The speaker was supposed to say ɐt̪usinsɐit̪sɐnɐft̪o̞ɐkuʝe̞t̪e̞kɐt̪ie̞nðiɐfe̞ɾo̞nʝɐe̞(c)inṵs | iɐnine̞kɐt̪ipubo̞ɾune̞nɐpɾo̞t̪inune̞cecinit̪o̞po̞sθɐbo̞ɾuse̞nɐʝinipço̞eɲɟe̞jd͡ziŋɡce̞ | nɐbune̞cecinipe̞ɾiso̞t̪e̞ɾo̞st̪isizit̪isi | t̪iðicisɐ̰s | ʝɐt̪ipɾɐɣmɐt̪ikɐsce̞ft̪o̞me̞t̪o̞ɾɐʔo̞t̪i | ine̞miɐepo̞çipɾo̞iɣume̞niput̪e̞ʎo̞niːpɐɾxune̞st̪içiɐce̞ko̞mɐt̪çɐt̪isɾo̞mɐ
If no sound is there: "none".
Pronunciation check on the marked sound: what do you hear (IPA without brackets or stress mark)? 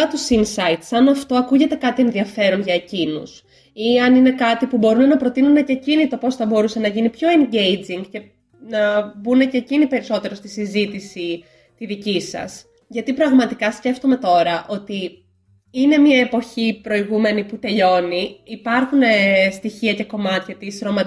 c